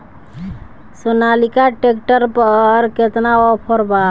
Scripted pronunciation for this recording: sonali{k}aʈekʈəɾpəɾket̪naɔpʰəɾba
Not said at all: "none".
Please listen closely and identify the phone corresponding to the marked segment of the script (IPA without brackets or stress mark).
k